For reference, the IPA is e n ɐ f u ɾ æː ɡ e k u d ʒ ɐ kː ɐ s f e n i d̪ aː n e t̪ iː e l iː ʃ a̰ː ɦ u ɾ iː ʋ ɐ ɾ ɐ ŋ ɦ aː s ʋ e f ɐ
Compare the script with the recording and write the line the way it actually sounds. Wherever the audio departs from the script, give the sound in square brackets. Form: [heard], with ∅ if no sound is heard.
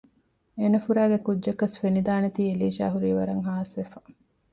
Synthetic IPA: e n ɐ f u ɾ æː ɡ e k u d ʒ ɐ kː ɐ s f e n i d̪ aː n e t̪ iː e l iː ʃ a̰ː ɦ u ɾ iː ʋ ɐ ɾ ɐ ŋ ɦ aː s ʋ e f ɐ